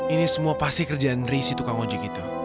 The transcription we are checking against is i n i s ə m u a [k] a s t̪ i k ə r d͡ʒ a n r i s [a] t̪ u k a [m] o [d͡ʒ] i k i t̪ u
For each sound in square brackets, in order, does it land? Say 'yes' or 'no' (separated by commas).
no, no, no, yes